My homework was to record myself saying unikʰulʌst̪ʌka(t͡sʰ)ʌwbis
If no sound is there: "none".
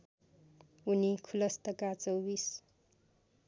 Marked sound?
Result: t͡s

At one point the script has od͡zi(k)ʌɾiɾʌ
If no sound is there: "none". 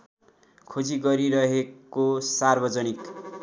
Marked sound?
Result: ɡ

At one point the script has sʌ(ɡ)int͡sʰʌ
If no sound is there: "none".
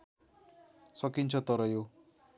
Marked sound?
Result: k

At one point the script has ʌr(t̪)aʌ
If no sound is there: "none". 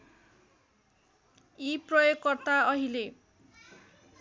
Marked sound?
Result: t̪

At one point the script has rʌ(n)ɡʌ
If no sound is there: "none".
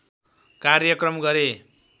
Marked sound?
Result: m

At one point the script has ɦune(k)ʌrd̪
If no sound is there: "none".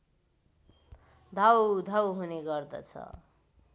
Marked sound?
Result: ɡ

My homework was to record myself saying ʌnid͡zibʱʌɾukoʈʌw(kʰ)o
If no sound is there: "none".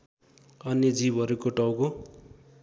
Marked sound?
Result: k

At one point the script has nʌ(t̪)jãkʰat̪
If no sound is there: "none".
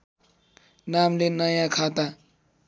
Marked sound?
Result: none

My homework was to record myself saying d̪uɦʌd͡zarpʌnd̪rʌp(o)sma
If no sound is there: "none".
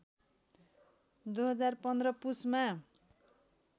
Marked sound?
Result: u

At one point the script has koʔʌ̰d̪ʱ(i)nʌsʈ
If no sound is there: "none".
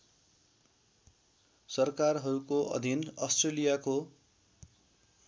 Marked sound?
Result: i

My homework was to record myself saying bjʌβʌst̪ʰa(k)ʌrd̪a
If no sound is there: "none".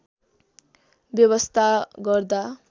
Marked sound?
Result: ɡ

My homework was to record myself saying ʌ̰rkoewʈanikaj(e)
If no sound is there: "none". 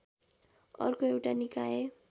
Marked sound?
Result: e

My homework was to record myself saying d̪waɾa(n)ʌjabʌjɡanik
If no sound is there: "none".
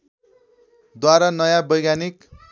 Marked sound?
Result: n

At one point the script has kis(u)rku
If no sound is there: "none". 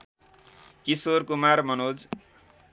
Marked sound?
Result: o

